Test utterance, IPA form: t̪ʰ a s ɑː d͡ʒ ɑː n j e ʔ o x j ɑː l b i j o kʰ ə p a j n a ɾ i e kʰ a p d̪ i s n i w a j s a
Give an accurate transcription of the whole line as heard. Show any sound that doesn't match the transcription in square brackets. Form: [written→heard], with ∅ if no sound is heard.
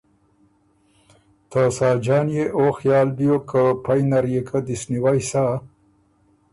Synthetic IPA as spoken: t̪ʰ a s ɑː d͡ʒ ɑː n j e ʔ o x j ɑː l b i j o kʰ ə p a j n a ɾ [i→j] e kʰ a [p→∅] d̪ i s n i w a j s a